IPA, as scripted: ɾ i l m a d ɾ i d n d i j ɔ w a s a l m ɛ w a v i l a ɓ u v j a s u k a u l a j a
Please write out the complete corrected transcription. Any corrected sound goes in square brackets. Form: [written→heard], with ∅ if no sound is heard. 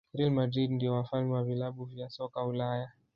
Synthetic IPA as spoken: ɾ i l m a d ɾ i d n d i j ɔ w a [s→f] a l m ɛ w a v i l a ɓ u v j a s [u→ɔ] k a u l a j a